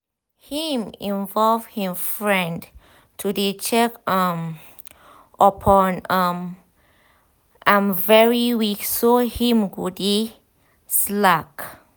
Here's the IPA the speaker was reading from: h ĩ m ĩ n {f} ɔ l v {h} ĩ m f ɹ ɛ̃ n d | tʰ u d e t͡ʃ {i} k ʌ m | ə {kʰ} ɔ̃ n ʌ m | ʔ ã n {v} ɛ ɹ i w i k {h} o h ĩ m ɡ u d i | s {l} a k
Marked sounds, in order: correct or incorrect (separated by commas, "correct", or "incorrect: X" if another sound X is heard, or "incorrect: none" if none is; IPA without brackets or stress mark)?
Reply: incorrect: v, correct, incorrect: ɛ, incorrect: pʰ, correct, incorrect: s, correct